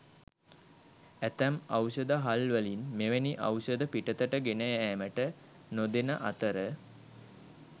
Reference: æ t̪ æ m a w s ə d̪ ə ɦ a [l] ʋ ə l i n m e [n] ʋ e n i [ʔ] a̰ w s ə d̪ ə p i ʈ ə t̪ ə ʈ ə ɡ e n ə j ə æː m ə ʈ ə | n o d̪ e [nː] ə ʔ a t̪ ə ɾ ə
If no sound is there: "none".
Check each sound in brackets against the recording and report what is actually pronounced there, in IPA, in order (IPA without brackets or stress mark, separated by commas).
l, none, ʔ, n